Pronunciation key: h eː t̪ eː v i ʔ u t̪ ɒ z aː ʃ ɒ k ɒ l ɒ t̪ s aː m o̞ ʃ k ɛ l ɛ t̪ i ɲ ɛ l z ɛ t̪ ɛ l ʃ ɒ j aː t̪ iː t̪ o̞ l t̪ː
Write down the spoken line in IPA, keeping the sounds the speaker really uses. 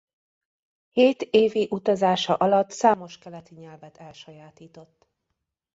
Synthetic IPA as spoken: h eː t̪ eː v i ʔ u t̪ ɒ z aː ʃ ɒ ʔ ɒ l ɒ t̪ s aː m o̞ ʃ k ɛ l ɛ t̪ i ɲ ɛ l v ɛ t̪ ɛ l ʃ ɒ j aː t̪ iː t̪ o̞ t̪ː